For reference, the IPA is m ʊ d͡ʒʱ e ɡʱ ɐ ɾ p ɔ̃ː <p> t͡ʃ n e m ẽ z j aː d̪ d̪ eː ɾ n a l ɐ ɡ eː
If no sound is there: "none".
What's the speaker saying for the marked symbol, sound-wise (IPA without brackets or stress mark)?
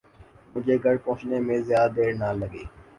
none